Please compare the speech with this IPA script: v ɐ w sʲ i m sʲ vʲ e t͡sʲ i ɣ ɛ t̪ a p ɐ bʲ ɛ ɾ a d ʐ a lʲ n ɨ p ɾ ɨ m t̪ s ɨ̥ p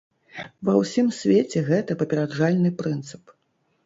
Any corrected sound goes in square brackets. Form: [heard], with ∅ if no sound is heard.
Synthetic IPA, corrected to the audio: v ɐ w sʲ i m sʲ vʲ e t͡sʲ [ɛ] ɣ ɛ t̪ [ɐ] p ɐ [pʲ] ɛ ɾ a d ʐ a lʲ n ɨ p ɾ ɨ [n] t̪ s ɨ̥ p

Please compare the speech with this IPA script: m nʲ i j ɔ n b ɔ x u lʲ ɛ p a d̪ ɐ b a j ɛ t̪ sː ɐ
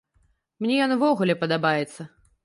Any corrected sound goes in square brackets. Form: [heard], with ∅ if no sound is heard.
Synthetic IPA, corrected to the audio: m nʲ [ɛ] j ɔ n [v] ɔ [ɣ] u lʲ ɛ p [ɐ] d̪ [a] b a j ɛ t̪ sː ɐ

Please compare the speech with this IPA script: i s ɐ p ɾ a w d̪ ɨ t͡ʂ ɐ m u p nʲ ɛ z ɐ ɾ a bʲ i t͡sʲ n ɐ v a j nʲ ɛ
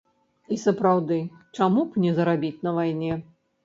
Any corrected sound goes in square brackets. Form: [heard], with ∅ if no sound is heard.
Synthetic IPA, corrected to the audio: i s ɐ p ɾ a w d̪ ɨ t͡ʂ [a] m u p nʲ ɛ z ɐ ɾ a bʲ i t͡sʲ n ɐ v a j nʲ ɛ

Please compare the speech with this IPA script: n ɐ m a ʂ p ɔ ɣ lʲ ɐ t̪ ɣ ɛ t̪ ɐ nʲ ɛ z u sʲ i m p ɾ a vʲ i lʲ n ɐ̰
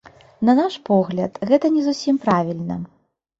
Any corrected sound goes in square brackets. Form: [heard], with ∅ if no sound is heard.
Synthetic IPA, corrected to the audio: n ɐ [n] a ʂ p ɔ ɣ lʲ ɐ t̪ ɣ ɛ t̪ ɐ nʲ ɛ z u sʲ i m p ɾ a vʲ i lʲ n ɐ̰

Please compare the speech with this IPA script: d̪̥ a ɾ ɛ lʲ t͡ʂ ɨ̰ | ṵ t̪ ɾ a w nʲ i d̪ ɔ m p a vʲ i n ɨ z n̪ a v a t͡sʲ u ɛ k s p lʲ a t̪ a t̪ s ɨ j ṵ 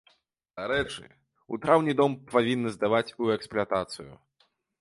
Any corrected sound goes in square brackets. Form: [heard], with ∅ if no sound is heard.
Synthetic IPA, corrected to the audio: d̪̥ a ɾ ɛ [∅] t͡ʂ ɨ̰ | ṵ t̪ ɾ a w nʲ i d̪ ɔ m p a vʲ i [nː] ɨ z [d̪] a v a t͡sʲ u ɛ k s p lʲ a t̪ a t̪ s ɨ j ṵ

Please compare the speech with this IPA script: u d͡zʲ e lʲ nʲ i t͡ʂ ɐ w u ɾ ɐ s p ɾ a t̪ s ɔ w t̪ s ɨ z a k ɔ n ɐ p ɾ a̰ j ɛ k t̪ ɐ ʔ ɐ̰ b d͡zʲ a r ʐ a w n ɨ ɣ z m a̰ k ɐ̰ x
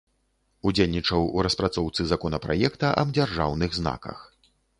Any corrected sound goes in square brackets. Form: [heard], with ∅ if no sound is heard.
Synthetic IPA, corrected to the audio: u d͡zʲ e lʲ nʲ i t͡ʂ ɐ w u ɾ ɐ s p ɾ a t̪ s ɔ w t̪ s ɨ z a k ɔ n ɐ p ɾ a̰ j ɛ k t̪ ɐ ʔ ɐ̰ b d͡zʲ a r ʐ a w n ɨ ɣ z [n] a̰ k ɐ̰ x

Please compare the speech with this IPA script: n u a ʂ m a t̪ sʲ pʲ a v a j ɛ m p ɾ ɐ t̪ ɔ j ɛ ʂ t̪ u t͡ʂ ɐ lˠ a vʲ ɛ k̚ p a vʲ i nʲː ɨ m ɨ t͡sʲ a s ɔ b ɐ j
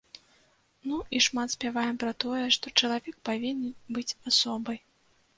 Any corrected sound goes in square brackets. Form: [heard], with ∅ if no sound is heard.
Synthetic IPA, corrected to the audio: n u [i] ʂ m a t̪ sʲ pʲ a v a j ɛ m p ɾ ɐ t̪ ɔ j ɛ ʂ t̪ [ɔ] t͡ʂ ɐ lˠ a vʲ ɛ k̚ p a vʲ i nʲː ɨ [b] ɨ t͡sʲ a s ɔ b ɐ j

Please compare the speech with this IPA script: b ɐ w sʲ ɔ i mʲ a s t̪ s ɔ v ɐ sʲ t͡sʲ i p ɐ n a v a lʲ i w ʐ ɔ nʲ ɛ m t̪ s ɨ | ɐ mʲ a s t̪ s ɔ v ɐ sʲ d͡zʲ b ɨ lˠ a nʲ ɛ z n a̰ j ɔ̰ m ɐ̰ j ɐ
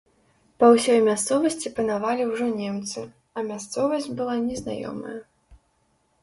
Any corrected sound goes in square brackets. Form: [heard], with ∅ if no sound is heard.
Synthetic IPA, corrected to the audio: [p] ɐ w sʲ ɔ [j] mʲ a s t̪ s ɔ v ɐ sʲ t͡sʲ i p ɐ n a v a lʲ i w ʐ ɔ nʲ ɛ m t̪ s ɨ | ɐ mʲ a s t̪ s ɔ v ɐ sʲ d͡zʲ b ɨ lˠ a nʲ ɛ z n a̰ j ɔ̰ m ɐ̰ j ɐ

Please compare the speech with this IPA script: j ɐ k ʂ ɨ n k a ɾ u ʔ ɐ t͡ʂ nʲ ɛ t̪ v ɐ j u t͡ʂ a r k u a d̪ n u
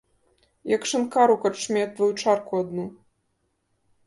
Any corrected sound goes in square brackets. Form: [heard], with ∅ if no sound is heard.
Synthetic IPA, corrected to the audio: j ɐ k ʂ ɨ n k a ɾ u [k] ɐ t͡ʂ [mʲ] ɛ t̪ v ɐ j u t͡ʂ a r k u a d̪ n u

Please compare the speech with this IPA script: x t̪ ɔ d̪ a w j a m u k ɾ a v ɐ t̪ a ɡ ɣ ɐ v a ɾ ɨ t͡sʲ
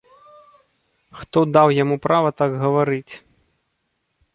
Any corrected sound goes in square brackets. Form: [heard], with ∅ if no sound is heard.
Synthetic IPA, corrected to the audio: x t̪ ɔ d̪ a w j a m u [p] ɾ a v ɐ t̪ a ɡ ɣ ɐ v a ɾ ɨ t͡sʲ

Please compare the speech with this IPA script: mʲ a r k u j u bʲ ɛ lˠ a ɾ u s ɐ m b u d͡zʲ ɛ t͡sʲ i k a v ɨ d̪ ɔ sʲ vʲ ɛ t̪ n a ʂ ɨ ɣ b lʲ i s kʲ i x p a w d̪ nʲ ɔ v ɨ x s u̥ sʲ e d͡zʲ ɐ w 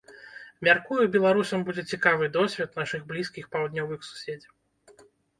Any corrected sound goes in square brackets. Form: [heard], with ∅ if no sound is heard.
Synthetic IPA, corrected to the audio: mʲ a r k u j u bʲ ɛ lˠ a ɾ u s ɐ m b u d͡zʲ ɛ t͡sʲ i k a v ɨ d̪ ɔ sʲ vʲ ɛ t̪ n a ʂ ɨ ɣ b lʲ i s kʲ i x p a w d̪ nʲ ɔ v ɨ x s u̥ sʲ e d͡zʲ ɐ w

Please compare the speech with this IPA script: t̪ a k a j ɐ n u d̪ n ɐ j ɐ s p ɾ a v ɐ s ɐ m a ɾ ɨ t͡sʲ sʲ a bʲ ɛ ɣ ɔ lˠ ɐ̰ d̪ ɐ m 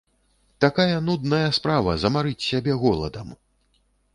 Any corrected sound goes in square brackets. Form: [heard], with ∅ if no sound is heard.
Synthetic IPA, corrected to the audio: t̪ a k a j ɐ n u d̪ n ɐ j ɐ s p ɾ a v ɐ [z] ɐ m a ɾ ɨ t͡sʲ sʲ a bʲ ɛ ɣ ɔ lˠ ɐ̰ d̪ ɐ m

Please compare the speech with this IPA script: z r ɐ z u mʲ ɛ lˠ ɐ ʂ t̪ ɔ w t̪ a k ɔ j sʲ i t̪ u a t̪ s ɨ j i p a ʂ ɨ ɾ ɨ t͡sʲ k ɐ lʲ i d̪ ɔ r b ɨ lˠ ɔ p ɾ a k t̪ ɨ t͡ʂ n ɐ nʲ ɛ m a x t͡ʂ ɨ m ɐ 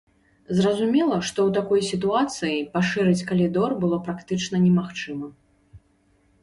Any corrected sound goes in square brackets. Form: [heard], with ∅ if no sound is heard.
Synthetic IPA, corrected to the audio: z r ɐ z u mʲ ɛ lˠ ɐ ʂ t̪ ɔ w t̪ a k ɔ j sʲ i t̪ u a t̪ s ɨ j i p a ʂ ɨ ɾ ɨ t͡sʲ k ɐ lʲ i d̪ ɔ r b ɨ lˠ ɔ p ɾ a k t̪ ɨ t͡ʂ n ɐ nʲ ɛ m a x t͡ʂ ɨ m ɐ

